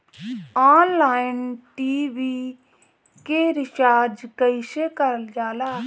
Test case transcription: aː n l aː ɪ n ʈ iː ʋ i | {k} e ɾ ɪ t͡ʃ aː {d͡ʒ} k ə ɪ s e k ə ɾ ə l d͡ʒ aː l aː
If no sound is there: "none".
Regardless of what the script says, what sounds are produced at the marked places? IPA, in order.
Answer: k, d͡ʒ

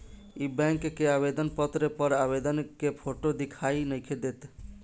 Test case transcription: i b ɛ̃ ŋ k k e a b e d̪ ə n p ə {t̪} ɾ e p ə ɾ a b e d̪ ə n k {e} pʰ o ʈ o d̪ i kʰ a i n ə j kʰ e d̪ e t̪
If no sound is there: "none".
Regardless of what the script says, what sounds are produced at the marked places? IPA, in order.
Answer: t̪, e

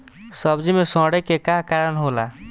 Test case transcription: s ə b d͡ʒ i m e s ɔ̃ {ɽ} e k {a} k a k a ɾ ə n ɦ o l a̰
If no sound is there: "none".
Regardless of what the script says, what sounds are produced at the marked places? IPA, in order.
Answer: ɽ, e

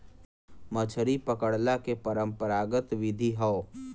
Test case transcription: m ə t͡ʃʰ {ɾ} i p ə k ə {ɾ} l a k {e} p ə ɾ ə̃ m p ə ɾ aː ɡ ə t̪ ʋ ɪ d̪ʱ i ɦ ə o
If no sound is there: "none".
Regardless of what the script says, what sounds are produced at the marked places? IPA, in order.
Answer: ɾ, ɽ, e

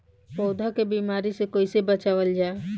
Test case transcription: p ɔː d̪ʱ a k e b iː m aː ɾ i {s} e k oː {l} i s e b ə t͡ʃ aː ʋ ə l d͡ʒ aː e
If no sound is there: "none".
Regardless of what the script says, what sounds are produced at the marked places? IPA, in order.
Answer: s, none

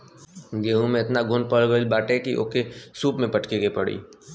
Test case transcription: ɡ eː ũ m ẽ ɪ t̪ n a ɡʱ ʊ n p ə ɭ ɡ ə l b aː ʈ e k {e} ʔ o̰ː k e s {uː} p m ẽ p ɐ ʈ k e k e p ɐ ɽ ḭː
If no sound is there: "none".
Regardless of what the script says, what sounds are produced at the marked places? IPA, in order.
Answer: i, uː

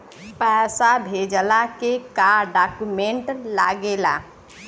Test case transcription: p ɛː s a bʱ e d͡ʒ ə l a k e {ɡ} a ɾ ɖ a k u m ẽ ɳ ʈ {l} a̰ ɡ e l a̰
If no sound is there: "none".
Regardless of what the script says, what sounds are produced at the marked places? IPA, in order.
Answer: k, l

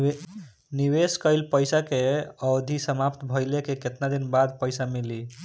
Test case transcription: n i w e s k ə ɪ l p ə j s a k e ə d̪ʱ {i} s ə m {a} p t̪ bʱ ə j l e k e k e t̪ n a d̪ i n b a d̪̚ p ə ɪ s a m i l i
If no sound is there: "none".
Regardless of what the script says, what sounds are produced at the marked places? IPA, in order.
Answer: i, a

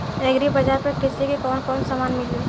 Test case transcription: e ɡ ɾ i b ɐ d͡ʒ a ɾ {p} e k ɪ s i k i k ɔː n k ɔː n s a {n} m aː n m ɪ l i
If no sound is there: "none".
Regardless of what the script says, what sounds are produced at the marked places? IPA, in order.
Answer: p, none

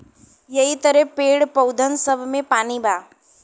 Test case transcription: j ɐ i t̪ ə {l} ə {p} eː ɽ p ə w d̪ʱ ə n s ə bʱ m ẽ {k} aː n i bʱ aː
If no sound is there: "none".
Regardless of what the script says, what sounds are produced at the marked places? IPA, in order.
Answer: ɾ, p, p

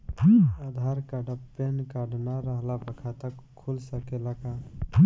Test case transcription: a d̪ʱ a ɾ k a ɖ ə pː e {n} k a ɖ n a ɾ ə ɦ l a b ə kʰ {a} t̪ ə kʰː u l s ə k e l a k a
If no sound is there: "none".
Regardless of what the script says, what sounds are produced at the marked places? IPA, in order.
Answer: n, a

